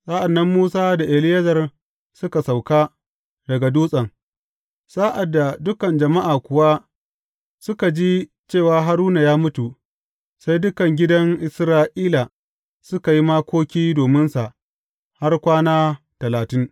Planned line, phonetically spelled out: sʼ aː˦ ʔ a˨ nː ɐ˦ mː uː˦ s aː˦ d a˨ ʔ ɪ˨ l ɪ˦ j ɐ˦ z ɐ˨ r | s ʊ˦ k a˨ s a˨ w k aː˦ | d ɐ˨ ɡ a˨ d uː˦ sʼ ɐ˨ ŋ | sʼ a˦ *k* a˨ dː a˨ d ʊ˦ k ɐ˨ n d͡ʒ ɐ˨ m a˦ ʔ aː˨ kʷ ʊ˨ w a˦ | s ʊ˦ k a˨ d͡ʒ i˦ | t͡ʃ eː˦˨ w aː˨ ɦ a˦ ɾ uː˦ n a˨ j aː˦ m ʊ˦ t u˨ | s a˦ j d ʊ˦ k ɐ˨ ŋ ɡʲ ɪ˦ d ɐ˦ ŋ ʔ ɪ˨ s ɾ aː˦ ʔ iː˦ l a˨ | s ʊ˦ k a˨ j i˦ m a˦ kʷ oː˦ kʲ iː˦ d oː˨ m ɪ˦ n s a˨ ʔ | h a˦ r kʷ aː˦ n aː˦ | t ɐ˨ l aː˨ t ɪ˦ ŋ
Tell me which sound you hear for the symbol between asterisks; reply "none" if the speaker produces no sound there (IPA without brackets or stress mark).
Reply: ʔ